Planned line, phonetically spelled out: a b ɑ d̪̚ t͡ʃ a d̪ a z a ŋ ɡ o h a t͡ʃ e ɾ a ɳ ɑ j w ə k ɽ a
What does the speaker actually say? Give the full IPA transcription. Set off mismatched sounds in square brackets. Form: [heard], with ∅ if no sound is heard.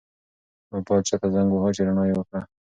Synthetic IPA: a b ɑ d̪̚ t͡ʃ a [t̪] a z a ŋ ɡ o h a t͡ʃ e ɾ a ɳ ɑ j w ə k ɽ a